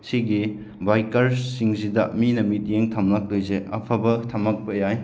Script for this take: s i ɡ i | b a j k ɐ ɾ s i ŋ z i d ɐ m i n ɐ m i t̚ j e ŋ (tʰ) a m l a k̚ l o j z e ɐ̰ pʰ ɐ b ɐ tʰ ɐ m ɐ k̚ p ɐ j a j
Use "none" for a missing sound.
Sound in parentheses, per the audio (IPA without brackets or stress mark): tʰ